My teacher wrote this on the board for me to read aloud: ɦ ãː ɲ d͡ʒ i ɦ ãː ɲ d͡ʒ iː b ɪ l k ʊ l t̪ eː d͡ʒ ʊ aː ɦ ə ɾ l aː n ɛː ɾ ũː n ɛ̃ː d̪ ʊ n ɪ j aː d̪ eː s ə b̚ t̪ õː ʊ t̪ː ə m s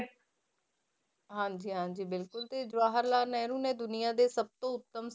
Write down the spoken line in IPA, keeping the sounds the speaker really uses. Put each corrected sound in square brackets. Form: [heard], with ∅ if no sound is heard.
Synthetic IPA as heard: ɦ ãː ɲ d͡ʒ [iː] ɦ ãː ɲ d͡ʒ iː b ɪ l k ʊ l t̪ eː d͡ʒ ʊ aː ɦ ə ɾ l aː n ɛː ɾ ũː n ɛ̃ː d̪ ʊ n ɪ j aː d̪ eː s ə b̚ t̪ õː ʊ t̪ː ə m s

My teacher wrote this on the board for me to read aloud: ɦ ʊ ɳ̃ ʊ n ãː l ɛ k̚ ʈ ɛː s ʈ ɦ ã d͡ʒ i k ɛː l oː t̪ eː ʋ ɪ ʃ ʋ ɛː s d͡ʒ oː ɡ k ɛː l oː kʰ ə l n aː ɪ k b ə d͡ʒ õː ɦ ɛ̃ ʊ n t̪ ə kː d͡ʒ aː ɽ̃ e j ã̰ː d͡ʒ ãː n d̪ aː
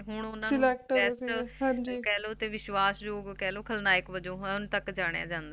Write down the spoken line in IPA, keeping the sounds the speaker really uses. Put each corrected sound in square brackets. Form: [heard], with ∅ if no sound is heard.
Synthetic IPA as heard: ɦ ʊ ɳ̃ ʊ n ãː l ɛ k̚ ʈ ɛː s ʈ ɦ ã d͡ʒ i k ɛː l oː t̪ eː ʋ ɪ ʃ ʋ [aː] s d͡ʒ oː ɡ k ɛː l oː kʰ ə l n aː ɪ k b ə d͡ʒ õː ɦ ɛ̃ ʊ n t̪ ə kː d͡ʒ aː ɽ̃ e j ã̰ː d͡ʒ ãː n d̪ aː

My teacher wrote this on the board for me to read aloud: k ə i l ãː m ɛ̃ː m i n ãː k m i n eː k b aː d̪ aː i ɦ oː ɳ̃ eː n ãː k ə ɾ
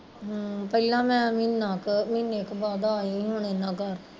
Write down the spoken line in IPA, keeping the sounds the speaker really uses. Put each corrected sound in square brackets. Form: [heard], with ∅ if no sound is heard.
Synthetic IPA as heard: [p] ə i l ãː m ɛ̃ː m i n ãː k m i n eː k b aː d̪ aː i ɦ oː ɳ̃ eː n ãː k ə ɾ

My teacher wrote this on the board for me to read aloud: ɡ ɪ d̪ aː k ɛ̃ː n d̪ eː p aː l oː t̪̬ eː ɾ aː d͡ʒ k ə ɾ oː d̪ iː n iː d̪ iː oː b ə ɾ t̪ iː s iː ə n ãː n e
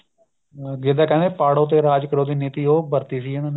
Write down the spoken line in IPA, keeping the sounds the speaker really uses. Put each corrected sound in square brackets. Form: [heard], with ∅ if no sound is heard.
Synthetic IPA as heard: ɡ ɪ d̪ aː k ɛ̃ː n d̪ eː p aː [ɽ] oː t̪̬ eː ɾ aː d͡ʒ k ə ɾ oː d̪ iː n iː [t̪] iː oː b ə ɾ t̪ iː s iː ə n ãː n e

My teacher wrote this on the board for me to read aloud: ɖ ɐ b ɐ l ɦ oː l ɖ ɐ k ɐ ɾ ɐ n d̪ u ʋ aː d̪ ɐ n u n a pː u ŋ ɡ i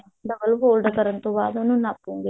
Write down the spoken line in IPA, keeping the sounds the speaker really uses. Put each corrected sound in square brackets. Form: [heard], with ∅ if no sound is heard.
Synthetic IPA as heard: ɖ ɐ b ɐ l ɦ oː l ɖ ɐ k ɐ ɾ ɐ n [t̪] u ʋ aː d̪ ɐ n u n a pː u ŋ ɡ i

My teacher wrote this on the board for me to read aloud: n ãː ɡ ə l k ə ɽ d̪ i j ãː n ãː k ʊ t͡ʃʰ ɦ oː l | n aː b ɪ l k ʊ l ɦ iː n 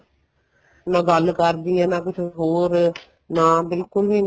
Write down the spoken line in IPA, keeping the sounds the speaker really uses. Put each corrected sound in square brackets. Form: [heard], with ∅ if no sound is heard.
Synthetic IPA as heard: n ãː ɡ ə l k ə [ɾ] d̪ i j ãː n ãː k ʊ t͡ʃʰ ɦ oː [ɾ] | n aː b ɪ l k ʊ l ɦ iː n

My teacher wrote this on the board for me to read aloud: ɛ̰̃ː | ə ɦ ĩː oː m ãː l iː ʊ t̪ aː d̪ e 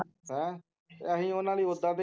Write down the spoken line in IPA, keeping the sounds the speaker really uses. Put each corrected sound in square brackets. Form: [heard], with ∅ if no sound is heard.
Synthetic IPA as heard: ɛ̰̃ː | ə ɦ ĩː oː [n] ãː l iː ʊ [d̪] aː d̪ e

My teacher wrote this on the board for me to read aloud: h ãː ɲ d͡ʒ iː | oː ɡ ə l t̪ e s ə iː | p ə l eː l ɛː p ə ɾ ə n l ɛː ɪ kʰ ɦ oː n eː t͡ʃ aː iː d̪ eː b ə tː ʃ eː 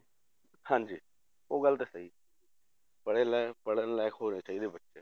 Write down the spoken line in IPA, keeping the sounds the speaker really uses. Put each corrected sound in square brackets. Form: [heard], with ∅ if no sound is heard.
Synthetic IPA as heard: h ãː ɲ d͡ʒ iː | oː ɡ ə l t̪ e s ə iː | p ə [ɽ] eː l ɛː p ə [ɽ] ə n l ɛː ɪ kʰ ɦ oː n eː t͡ʃ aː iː d̪ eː b ə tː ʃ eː

